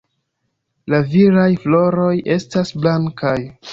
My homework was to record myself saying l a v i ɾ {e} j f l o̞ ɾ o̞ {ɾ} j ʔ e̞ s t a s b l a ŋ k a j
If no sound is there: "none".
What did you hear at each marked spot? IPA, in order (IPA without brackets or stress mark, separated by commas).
a, none